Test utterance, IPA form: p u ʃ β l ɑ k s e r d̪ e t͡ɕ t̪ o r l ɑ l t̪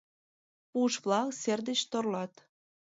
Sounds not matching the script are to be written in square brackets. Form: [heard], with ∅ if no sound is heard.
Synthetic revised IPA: p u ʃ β l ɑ k s e r d̪ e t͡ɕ t̪ o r l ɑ [∅] t̪

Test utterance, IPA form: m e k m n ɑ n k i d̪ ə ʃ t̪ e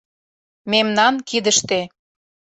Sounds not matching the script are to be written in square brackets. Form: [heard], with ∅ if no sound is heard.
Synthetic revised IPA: m e [∅] m n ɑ n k i d̪ ə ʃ t̪ e

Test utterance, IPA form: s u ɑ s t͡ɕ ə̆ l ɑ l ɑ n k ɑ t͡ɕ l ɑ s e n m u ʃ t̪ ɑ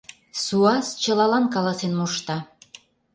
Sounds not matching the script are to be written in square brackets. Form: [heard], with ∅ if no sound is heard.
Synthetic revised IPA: s u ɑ s t͡ɕ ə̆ l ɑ l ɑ n k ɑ [∅] l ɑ s e n m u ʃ t̪ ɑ

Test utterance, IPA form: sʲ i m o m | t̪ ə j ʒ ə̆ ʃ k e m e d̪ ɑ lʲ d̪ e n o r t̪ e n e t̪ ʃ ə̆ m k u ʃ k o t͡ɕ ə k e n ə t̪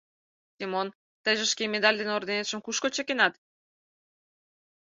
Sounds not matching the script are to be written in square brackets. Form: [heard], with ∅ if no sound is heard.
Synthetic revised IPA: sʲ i m o [n] | t̪ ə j ʒ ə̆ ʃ k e m e d̪ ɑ lʲ d̪ e n o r [d̪] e n e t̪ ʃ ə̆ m k u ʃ k o t͡ɕ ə k e n [ɑ] t̪

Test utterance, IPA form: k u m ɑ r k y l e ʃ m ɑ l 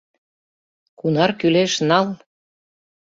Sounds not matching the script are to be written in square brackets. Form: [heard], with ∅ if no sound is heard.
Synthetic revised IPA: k u [n] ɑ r k y l e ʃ [n] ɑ l

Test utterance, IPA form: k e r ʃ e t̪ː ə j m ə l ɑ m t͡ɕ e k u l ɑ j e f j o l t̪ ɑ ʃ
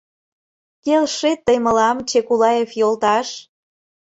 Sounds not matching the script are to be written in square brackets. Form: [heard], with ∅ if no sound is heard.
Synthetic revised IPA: k e [l] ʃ e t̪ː ə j m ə l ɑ m t͡ɕ e k u l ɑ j e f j o l t̪ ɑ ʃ

